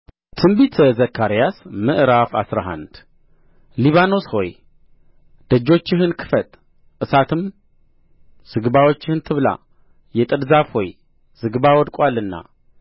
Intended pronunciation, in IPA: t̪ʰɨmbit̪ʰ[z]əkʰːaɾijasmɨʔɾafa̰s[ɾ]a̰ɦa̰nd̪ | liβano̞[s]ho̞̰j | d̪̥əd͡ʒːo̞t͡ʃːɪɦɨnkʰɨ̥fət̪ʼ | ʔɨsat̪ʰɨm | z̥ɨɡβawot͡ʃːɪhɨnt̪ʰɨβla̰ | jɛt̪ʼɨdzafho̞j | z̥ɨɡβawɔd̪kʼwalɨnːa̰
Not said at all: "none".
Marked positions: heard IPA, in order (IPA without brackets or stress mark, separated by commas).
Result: z, ɾ, s